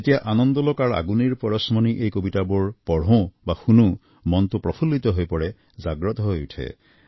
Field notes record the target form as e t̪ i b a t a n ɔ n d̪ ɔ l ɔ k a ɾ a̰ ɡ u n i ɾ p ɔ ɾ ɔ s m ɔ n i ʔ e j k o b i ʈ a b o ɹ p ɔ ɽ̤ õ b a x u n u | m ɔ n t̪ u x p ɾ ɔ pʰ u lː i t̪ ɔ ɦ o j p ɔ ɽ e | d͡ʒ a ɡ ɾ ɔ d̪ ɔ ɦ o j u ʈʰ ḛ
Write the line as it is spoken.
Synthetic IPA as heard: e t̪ i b a ʔ a n ɔ n d̪ ɔ l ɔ k a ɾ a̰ ɡ u n i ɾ p ɔ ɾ ɔ s m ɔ n i ʔ e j k o b i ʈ a b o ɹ p ɔ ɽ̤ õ b a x u n u | m ɔ n t̪ u p ɾ ɔ pʰ u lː i t̪ ɔ ɦ o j p ɔ ɽ e | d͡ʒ a ɡ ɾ ɔ t̪ ɔ ɦ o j u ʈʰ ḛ